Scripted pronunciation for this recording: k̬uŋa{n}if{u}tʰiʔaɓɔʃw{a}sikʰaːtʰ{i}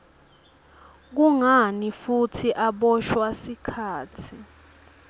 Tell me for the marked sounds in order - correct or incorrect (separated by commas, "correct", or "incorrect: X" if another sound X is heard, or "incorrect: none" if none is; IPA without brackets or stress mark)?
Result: correct, correct, correct, correct